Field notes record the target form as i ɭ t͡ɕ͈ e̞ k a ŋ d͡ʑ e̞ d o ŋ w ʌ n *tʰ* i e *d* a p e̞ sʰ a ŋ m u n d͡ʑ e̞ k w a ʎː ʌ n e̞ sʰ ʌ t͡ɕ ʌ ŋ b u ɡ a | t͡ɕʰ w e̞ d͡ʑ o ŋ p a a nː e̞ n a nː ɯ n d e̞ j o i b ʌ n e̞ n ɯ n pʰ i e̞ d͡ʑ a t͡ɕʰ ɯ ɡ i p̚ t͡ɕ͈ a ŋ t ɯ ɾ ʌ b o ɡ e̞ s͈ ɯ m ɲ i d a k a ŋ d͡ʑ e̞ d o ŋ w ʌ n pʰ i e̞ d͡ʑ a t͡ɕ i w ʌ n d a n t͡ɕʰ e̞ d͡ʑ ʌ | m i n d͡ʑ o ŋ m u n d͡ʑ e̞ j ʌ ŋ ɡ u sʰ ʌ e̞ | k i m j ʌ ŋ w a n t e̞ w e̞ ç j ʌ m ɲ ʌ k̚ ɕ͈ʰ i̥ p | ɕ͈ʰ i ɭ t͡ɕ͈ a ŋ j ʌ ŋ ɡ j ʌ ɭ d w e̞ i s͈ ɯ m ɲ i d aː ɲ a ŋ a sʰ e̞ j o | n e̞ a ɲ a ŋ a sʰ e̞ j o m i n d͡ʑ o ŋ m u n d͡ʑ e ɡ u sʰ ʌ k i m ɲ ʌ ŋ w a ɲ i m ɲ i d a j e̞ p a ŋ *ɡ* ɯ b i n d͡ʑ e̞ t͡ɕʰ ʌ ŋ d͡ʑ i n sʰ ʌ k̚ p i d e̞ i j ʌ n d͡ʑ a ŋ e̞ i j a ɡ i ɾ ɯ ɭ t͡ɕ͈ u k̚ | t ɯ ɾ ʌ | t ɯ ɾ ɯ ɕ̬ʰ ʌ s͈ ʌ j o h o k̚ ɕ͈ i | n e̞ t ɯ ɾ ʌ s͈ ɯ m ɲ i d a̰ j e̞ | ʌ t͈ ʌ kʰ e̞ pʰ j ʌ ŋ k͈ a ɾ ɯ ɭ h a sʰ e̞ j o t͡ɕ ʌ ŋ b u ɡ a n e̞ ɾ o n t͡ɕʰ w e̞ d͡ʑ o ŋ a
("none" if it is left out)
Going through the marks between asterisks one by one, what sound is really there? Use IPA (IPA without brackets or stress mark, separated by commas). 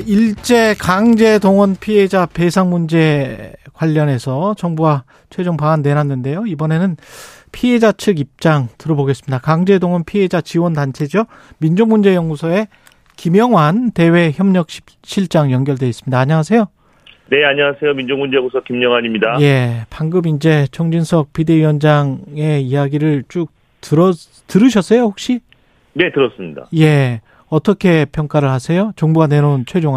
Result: pʰ, d͡ʑ, ɡ